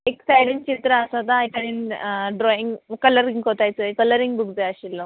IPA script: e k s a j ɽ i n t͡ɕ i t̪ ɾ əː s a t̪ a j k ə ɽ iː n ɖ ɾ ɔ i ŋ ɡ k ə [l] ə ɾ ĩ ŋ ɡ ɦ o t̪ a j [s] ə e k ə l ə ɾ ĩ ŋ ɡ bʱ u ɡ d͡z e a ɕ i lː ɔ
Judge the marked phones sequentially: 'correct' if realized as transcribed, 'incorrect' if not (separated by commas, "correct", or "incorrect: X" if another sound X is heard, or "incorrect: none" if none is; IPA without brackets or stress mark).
correct, incorrect: t͡s